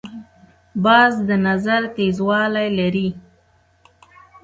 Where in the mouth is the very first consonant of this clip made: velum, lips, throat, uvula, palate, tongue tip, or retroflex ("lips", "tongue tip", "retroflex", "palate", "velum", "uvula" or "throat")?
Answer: lips